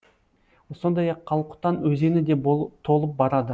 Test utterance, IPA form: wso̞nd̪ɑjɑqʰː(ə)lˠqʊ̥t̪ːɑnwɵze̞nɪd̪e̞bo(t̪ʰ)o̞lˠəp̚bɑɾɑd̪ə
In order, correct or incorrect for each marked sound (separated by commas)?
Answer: incorrect, correct